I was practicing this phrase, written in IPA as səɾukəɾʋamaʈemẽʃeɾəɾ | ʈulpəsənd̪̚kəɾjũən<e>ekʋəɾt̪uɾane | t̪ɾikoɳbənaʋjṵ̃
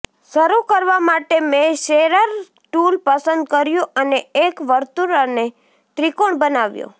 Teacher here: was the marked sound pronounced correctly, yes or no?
yes